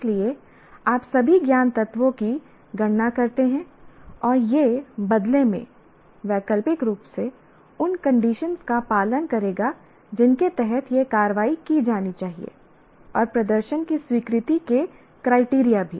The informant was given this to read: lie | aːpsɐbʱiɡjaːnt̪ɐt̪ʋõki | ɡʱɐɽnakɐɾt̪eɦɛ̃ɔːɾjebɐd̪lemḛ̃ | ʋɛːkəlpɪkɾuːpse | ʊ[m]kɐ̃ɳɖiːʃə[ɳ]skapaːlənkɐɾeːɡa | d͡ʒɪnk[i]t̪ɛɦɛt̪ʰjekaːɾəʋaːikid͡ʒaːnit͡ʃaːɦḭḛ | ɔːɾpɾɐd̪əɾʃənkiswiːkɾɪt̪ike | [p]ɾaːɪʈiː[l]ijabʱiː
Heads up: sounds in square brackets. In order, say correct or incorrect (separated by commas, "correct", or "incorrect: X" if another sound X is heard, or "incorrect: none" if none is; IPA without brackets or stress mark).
incorrect: n, incorrect: n, incorrect: e, incorrect: k, incorrect: ɾ